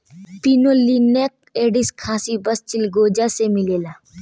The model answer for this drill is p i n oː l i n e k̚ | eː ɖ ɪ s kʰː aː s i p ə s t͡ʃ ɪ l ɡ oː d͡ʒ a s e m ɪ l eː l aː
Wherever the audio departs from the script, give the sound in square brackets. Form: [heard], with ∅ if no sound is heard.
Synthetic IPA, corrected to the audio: p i n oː l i n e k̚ | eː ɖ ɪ s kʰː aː s i [b] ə s t͡ʃ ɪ l ɡ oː d͡ʒ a s e m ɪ l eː l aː